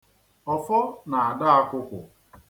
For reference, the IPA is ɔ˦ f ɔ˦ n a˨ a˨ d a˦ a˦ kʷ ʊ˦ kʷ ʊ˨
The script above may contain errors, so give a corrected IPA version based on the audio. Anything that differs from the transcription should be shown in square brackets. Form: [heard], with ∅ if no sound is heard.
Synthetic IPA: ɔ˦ f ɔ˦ n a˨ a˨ d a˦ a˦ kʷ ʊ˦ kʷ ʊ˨

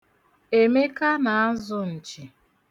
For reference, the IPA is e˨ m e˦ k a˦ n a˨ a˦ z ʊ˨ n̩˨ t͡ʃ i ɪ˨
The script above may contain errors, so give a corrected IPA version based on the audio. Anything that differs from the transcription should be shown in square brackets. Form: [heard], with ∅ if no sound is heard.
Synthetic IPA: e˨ m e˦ k a˦ n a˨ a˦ z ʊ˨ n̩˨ t͡ʃ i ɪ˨

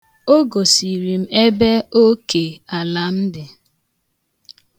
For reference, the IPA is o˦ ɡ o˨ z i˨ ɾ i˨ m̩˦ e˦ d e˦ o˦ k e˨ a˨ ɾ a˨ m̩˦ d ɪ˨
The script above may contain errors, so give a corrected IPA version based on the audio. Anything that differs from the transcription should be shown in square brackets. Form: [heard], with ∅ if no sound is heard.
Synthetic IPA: o˦ ɡ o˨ [s] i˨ ɾ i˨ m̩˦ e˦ [b] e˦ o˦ k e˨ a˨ [l] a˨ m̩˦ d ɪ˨

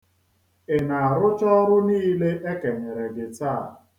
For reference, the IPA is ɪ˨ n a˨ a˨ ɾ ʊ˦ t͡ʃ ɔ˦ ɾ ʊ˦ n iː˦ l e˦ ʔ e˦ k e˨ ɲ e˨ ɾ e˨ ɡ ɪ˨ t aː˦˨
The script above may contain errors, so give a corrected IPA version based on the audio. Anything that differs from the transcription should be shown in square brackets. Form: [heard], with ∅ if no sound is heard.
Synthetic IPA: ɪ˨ n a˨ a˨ ɾ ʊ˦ t͡ʃ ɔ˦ ɾ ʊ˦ n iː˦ l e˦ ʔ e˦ k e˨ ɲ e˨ ɾ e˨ ɡ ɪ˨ t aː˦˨

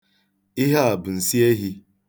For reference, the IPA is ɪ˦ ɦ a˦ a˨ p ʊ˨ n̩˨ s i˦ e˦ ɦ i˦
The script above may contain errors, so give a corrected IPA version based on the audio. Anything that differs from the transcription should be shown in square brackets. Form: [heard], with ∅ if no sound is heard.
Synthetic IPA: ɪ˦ ɦ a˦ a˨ [b] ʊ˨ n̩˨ s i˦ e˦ ɦ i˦

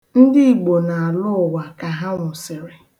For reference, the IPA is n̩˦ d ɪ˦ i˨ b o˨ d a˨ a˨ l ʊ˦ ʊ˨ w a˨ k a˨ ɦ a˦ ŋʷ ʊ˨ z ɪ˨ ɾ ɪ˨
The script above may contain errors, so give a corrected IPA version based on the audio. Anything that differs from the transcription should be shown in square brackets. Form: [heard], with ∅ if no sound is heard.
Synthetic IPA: n̩˦ d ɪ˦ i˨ [ɡ͡b] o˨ [n] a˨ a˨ l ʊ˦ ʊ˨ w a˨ k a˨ ɦ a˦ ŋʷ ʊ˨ [s] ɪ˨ ɾ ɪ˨

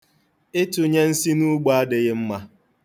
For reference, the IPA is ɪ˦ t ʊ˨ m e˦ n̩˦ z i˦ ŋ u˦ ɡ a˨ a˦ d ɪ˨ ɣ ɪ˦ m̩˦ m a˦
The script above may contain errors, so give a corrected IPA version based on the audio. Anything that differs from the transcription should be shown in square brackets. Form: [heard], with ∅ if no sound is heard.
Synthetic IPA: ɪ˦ t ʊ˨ [ɲ] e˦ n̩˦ [s] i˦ [n] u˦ [ɡ͡b] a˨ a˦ d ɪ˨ ɣ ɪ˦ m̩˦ m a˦

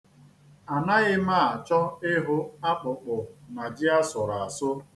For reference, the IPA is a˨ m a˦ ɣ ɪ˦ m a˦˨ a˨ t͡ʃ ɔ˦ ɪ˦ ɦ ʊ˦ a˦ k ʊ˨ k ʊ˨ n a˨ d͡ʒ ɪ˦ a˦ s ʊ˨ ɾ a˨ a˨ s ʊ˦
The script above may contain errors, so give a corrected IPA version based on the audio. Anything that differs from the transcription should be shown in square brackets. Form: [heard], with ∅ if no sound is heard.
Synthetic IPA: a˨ [n] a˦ ɣ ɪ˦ m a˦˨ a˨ t͡ʃ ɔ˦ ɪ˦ ɦ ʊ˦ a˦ [k͡p] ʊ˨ [k͡p] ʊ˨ n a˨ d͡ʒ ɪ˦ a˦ s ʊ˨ ɾ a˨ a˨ s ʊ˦

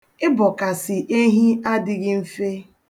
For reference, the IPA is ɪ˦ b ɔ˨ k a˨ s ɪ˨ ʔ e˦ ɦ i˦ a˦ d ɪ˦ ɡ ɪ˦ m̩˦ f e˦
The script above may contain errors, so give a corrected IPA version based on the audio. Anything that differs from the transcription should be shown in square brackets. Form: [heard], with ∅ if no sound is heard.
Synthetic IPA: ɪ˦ b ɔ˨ k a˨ s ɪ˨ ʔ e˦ ɦ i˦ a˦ d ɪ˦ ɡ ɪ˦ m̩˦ f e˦

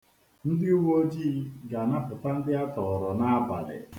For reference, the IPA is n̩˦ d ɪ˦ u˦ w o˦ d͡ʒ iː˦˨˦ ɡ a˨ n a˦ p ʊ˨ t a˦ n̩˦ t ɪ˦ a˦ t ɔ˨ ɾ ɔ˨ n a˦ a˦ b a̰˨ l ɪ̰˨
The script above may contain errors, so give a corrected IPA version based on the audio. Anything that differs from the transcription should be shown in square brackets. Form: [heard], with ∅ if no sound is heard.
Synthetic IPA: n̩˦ d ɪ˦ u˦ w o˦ d͡ʒ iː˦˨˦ ɡ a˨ n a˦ p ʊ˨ t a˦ n̩˦ [d] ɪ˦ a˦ t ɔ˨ ɾ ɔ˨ n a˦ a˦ b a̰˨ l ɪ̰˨

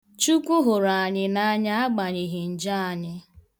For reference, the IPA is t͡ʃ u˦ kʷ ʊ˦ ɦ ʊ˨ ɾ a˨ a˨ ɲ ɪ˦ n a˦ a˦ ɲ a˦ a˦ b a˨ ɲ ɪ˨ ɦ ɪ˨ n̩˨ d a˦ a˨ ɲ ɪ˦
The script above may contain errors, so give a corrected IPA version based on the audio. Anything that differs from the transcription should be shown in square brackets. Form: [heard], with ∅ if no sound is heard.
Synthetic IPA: t͡ʃ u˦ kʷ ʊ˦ ɦ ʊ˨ ɾ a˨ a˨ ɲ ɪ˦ n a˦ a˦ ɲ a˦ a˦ [ɡ͡b] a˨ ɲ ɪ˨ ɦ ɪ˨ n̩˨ [d͡ʒ] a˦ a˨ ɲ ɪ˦

